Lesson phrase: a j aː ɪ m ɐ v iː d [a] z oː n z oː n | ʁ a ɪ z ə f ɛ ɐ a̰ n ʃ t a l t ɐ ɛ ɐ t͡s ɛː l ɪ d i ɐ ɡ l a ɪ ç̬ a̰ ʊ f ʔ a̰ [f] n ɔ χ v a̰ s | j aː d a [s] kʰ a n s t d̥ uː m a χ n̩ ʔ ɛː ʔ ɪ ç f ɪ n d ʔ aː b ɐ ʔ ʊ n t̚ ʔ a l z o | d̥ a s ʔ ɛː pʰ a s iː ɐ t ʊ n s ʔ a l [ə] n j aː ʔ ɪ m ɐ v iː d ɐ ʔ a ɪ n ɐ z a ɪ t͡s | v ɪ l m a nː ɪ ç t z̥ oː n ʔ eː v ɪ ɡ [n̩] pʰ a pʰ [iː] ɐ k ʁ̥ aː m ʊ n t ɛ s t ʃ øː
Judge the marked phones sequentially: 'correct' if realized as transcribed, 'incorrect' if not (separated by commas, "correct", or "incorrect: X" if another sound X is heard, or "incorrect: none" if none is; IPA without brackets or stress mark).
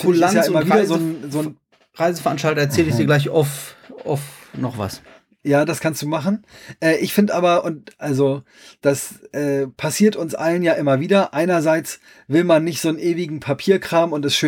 incorrect: ɐ, correct, correct, correct, incorrect: ŋ̩, correct